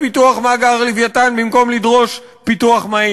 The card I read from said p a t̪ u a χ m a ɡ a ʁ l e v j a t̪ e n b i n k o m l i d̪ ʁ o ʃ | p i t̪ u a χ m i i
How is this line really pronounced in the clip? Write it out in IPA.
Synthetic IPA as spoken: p i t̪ u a χ m a ɡ a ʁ l i v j a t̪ a n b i m k o m l i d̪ ʁ o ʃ | p i t̪ u a χ m a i